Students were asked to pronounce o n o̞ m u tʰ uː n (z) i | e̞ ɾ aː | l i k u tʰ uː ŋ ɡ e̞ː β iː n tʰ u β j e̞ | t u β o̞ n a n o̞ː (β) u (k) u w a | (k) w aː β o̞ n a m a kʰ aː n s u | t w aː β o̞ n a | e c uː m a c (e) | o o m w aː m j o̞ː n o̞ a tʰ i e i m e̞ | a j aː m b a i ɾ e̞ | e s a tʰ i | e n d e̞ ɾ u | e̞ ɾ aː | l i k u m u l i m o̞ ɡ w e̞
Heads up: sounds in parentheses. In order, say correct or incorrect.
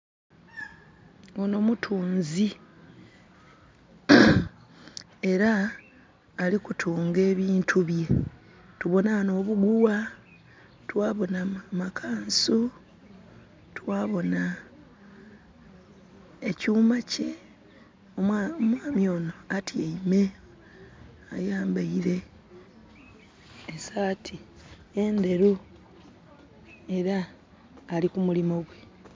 correct, correct, incorrect: ɡ, incorrect: t, correct

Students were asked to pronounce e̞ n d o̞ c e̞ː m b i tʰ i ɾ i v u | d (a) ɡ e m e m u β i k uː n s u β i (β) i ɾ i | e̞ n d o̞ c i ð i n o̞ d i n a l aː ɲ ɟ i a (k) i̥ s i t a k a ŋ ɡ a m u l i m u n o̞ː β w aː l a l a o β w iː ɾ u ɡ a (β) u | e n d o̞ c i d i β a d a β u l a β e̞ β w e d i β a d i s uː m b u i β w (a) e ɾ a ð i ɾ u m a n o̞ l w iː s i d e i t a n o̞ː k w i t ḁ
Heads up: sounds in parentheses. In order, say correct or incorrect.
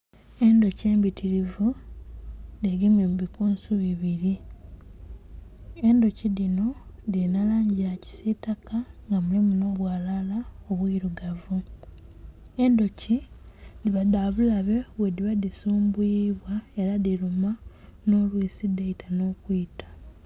incorrect: e, correct, incorrect: c, incorrect: v, correct

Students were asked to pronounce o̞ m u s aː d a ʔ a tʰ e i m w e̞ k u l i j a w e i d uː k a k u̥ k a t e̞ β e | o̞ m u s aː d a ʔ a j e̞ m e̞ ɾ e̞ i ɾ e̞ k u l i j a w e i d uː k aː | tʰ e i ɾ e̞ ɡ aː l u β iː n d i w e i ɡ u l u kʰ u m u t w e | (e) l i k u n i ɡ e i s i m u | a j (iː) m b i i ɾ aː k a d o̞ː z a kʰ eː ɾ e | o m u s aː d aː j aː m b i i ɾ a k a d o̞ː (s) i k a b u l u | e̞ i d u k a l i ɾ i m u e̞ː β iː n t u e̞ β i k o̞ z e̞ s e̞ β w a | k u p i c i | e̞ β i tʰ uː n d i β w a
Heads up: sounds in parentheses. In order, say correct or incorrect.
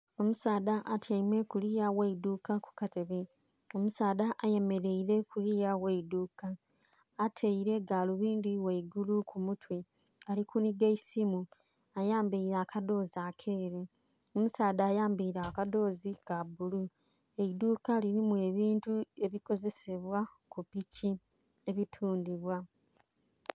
incorrect: a, incorrect: aː, incorrect: z

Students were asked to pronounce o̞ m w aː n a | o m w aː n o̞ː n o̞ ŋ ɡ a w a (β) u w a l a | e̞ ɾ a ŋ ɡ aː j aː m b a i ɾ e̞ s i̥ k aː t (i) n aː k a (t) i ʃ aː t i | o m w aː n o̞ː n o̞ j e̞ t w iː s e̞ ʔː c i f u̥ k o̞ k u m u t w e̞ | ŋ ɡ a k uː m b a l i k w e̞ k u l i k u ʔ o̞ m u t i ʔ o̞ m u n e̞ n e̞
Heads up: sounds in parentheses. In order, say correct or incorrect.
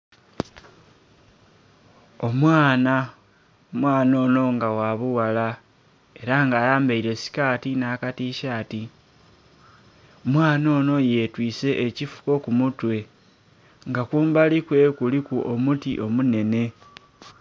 correct, correct, correct

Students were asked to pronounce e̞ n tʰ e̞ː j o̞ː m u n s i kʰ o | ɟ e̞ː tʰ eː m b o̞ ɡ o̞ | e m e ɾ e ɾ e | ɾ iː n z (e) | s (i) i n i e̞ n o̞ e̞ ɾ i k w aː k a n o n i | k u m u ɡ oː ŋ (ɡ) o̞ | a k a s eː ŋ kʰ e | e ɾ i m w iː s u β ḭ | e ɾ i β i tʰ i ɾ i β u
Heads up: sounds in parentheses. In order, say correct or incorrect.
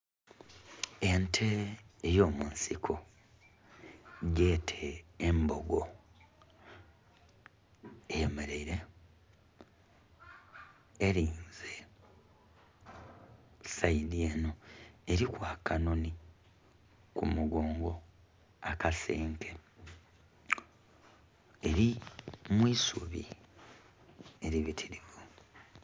correct, incorrect: a, correct

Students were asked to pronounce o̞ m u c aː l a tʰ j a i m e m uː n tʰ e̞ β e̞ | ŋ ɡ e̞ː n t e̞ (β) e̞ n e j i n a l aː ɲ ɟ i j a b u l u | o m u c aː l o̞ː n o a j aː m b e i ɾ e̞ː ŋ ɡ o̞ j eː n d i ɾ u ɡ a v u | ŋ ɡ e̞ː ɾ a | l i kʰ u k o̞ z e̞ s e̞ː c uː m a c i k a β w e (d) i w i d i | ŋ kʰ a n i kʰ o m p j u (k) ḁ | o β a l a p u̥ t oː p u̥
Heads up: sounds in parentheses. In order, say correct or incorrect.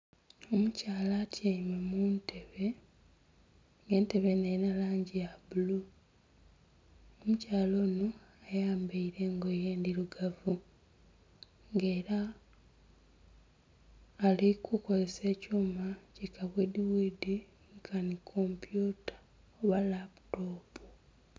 correct, correct, incorrect: t

